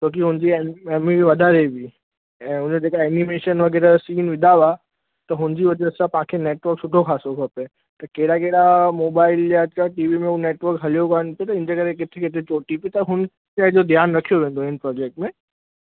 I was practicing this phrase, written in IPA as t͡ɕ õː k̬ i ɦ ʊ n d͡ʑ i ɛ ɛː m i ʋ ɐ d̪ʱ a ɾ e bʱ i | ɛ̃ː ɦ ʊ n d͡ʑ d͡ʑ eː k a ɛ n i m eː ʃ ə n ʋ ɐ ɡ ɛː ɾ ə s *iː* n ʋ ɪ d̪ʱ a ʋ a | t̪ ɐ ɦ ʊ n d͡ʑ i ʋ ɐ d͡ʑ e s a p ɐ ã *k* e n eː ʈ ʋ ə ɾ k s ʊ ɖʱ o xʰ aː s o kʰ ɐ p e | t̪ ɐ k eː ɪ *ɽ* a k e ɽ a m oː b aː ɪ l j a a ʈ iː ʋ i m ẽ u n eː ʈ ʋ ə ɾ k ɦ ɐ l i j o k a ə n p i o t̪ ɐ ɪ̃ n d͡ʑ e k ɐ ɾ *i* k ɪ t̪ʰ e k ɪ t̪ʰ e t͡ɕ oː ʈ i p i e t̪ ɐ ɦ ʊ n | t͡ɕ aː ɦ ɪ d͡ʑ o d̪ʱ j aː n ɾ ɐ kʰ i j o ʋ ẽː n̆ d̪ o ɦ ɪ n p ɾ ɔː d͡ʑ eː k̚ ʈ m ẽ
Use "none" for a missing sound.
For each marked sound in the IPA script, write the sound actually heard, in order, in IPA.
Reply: iː, kʰ, ɽ, e

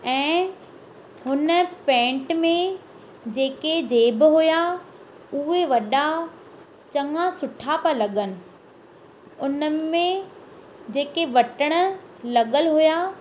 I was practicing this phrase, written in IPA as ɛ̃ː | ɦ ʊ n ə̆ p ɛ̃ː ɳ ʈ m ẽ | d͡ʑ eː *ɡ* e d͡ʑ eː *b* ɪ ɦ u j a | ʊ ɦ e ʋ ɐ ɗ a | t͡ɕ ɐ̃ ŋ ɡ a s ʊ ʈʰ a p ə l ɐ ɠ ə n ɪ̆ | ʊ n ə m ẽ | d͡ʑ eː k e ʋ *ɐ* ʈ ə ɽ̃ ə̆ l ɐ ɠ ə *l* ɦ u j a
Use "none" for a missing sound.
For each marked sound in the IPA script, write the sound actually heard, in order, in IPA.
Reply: k, b, ɐ, l

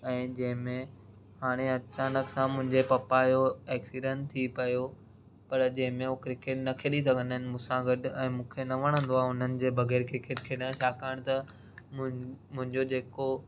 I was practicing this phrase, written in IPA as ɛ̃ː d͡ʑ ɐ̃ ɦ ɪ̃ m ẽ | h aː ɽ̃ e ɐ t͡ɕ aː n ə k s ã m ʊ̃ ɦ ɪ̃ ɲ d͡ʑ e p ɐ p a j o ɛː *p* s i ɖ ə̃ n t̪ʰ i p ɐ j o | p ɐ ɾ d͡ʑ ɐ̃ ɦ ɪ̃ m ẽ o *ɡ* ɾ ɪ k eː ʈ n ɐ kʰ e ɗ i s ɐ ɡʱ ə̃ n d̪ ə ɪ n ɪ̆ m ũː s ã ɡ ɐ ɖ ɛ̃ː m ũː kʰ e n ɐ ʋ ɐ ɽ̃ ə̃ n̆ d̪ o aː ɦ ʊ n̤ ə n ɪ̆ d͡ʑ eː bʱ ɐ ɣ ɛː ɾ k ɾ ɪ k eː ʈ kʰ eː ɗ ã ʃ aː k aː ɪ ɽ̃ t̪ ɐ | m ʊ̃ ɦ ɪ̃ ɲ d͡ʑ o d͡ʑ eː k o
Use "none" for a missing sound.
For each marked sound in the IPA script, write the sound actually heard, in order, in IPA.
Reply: k, k

